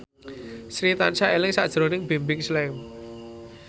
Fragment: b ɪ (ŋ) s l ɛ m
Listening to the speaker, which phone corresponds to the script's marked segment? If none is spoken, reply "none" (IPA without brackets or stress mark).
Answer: ŋ